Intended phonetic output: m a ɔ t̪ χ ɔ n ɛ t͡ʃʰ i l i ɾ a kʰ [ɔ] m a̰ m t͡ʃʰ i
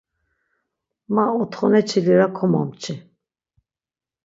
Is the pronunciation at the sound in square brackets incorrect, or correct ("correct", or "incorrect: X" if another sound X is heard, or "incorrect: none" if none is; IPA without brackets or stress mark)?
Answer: correct